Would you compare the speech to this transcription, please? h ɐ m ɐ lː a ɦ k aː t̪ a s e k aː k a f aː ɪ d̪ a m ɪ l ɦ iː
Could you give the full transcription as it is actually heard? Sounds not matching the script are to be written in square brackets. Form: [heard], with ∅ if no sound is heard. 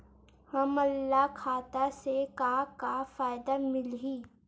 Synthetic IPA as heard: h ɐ m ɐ lː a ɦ [kʰ] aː t̪ a s e k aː k a f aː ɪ d̪ a m ɪ l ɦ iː